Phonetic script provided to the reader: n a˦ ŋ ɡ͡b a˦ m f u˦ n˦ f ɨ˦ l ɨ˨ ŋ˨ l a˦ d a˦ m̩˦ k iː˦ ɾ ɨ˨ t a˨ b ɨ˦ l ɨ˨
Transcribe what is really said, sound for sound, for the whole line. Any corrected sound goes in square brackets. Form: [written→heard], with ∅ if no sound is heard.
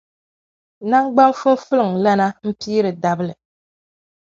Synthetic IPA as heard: n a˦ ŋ ɡ͡b a˦ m f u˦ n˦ f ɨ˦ l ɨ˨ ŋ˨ l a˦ [d→n] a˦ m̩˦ [k→p] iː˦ ɾ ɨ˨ [t→d] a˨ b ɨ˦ l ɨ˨